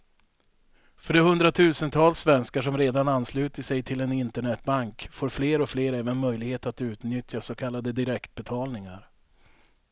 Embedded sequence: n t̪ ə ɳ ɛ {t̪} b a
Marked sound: correct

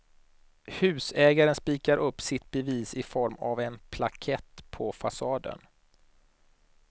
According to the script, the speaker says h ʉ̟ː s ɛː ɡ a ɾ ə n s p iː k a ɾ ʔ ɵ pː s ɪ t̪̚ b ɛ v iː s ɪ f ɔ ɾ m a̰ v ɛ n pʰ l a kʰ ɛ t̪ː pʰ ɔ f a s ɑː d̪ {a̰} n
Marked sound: incorrect: ə̰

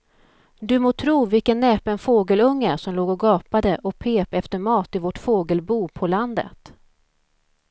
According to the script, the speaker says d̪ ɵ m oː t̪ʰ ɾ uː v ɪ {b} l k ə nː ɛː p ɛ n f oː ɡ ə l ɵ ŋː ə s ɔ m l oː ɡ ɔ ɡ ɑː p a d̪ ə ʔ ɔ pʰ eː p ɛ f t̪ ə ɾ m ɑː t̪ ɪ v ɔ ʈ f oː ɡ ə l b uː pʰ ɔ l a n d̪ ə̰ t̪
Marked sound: incorrect: none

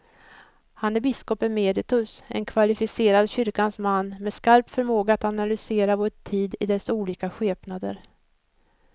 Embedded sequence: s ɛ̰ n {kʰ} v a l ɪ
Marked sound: correct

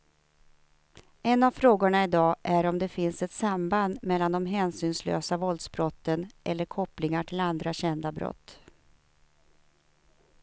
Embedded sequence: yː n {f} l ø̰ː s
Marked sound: incorrect: s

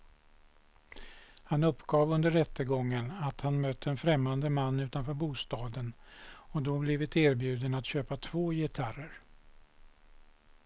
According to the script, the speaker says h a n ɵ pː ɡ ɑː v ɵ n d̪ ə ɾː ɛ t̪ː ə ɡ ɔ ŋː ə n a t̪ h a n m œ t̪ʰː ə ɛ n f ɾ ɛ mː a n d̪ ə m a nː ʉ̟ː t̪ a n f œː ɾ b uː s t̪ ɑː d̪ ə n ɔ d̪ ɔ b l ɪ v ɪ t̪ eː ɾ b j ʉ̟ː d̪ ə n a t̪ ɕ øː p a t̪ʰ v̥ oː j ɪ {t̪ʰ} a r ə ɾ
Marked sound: correct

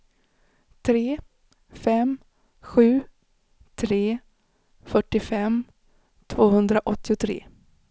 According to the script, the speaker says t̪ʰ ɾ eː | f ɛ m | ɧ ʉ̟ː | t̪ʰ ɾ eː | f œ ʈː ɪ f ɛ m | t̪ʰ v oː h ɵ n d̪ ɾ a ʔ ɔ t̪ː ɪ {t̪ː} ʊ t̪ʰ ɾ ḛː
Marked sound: incorrect: none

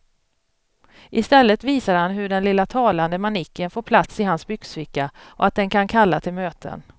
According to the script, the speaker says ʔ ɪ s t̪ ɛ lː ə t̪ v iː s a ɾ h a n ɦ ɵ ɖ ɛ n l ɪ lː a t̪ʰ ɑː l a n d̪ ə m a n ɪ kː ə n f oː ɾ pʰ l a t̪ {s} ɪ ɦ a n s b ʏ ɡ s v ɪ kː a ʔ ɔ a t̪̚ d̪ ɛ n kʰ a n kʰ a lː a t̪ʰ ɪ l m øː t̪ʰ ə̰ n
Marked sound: correct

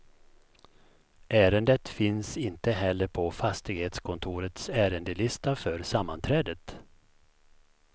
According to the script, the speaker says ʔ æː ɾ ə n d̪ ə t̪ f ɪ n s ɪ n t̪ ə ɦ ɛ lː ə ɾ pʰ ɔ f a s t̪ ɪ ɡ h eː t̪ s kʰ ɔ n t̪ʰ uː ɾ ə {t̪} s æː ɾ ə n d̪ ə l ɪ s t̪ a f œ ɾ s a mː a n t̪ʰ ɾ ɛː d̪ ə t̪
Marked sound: correct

